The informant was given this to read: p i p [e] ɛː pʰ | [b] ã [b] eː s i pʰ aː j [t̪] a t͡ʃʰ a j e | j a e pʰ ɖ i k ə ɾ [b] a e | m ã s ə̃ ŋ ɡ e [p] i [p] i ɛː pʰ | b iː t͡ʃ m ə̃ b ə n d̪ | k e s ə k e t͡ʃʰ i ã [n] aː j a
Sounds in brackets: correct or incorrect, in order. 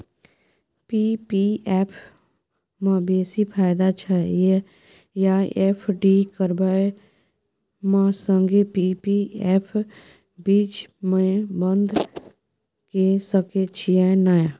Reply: incorrect, incorrect, correct, incorrect, correct, correct, correct, correct

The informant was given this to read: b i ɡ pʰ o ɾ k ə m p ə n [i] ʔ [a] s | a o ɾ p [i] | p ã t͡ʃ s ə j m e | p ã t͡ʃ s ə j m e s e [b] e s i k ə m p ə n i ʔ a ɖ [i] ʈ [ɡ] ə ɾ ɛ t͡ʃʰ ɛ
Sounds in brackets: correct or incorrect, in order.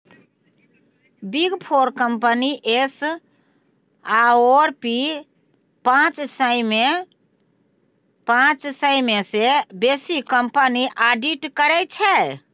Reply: correct, incorrect, correct, correct, correct, incorrect

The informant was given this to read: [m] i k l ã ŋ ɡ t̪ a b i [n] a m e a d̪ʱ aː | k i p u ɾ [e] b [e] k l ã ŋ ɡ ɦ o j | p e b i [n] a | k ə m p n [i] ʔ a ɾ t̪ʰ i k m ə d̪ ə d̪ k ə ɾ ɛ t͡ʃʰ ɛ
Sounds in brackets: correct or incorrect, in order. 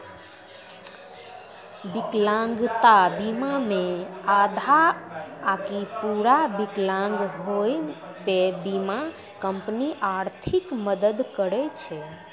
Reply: incorrect, incorrect, incorrect, incorrect, incorrect, correct

